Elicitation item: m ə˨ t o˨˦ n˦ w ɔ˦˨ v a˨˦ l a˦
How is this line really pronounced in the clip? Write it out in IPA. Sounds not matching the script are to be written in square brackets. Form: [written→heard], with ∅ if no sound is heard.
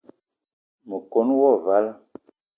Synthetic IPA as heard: m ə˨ [t→k] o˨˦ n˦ w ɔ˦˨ v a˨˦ l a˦